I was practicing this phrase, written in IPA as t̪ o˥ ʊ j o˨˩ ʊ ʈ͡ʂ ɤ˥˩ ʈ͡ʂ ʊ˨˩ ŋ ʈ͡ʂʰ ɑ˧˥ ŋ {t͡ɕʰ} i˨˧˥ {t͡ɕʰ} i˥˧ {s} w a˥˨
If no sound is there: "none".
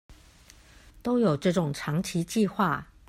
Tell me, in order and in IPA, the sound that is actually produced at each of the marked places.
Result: t͡ɕʰ, t͡ɕ, x

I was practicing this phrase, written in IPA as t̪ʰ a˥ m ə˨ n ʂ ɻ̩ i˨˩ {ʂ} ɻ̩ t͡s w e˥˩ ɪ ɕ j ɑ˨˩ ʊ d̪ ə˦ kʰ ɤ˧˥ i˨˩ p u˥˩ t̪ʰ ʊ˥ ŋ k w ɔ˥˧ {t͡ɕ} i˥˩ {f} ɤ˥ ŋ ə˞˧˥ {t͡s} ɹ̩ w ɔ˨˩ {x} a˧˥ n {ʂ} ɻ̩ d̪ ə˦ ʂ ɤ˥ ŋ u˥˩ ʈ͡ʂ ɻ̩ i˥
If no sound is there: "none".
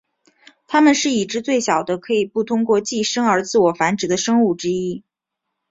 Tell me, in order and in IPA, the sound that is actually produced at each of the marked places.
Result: ʈ͡ʂ, t͡ɕ, ʂ, t͡s, f, ʈ͡ʂ

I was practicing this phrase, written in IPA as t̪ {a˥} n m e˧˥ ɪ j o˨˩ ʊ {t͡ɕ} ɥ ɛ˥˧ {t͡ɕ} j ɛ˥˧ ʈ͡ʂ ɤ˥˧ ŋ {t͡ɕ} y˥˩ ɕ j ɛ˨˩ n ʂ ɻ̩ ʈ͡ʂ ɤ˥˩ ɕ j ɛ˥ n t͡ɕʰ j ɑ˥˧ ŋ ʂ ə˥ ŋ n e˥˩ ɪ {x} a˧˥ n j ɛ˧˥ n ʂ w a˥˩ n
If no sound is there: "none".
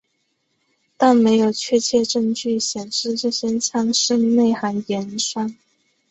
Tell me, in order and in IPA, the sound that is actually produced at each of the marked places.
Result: a˥˩, t͡ɕʰ, t͡ɕʰ, t͡ɕ, x

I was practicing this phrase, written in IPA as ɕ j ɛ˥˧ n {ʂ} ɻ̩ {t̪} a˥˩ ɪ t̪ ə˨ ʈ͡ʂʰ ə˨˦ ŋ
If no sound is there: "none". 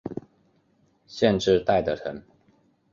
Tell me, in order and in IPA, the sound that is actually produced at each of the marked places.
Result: ʈ͡ʂ, t̪

